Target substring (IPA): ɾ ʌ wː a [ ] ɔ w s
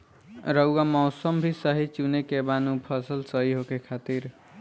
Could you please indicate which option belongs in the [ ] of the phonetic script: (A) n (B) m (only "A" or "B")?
B